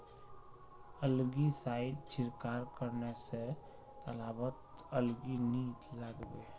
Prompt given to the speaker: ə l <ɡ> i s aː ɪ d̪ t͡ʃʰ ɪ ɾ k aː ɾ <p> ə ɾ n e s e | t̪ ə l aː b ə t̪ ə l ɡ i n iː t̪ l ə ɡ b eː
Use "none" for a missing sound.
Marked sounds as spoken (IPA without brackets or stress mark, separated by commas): ɡ, k